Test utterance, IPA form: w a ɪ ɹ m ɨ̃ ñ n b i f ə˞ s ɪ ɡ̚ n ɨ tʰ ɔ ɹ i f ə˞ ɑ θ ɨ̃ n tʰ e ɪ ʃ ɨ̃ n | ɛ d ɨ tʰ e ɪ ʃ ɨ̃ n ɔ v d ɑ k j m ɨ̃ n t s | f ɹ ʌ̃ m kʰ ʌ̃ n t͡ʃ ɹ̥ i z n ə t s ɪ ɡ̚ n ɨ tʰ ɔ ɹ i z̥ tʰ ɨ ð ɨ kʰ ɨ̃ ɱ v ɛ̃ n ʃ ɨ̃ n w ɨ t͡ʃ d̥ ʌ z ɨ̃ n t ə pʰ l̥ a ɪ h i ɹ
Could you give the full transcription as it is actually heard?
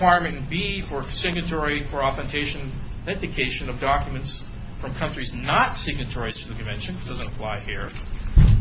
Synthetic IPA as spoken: w a ɪ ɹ m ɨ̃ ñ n b i f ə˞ s ɪ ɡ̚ n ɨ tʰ ɔ ɹ i f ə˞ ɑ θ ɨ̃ n tʰ e ɪ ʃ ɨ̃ n | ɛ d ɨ kʰ e ɪ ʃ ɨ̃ n ʌ v d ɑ k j m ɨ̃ n t s | f ɹ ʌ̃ m kʰ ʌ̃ n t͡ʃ ɹ̥ i z n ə t s ɪ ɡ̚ n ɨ tʰ ɔ ɹ i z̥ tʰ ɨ ð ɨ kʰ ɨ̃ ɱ v ɛ̃ n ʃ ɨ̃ n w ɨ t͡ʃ d̥ ʌ z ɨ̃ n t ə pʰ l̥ a ɪ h i ɹ